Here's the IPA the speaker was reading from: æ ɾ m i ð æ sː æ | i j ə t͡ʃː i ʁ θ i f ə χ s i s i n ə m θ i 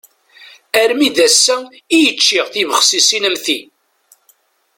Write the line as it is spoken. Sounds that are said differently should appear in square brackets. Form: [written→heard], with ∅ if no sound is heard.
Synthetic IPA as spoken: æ ɾ m i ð æ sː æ | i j ə t͡ʃː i ʁ θ i [f→v] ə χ s i s i n ə m θ i